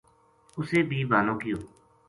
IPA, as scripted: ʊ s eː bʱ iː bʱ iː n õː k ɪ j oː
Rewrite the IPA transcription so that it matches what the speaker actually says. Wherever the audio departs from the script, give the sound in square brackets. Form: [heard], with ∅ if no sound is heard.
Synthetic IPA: ʊ s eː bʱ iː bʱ [aː] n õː k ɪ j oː